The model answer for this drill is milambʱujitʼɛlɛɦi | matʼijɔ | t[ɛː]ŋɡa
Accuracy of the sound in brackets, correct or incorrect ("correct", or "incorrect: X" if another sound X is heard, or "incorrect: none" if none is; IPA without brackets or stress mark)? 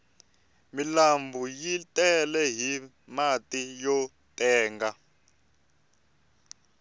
correct